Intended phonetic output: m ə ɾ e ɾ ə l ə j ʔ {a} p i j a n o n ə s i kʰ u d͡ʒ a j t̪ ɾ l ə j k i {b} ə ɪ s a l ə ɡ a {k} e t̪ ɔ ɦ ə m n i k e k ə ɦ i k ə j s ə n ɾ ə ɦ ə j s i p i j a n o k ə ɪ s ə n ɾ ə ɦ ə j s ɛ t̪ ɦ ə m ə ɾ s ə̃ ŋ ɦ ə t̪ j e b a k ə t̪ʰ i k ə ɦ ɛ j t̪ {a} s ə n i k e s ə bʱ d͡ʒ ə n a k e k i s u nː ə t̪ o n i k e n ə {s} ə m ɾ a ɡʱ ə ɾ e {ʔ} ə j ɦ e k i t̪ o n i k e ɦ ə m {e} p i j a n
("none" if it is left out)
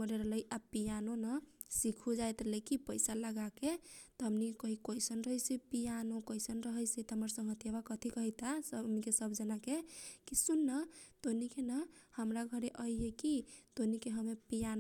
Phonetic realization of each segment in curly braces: a, p, k, a, h, ʔ, e

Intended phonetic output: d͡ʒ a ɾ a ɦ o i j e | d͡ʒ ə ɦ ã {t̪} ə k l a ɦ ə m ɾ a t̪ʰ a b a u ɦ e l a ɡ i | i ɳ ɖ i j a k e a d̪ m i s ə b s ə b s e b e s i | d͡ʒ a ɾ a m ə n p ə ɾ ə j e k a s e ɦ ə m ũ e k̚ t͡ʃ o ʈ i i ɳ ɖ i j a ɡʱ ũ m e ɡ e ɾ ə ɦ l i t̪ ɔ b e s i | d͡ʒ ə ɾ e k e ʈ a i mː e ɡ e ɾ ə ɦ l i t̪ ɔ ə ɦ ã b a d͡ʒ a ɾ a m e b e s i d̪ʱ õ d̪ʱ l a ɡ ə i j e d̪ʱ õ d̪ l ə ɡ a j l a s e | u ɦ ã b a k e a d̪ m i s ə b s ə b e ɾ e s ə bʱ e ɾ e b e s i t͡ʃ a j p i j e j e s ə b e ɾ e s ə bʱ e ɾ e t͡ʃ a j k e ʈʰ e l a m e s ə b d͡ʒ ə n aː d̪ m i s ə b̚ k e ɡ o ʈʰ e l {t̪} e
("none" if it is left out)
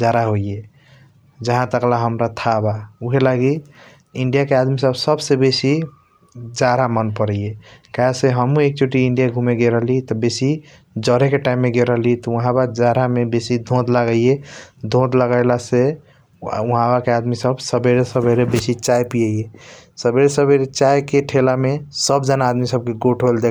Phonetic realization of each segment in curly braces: t̪, d̪

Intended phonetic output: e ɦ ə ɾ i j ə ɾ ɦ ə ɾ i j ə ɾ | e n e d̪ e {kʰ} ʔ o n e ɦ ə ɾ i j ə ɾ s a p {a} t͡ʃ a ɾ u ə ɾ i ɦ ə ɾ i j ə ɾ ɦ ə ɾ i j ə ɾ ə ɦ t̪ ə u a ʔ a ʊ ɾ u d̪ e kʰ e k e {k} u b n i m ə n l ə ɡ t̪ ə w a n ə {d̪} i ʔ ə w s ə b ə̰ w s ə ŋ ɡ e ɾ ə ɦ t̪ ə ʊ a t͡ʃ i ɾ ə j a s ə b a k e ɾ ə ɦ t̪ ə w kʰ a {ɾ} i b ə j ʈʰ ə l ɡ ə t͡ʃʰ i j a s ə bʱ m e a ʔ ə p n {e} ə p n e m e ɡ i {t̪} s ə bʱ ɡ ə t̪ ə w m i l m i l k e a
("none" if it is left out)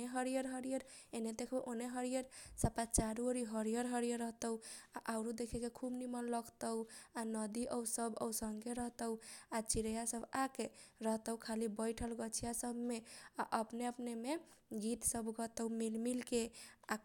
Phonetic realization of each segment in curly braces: kʰ, a, kʰ, d̪, l, e, t̪

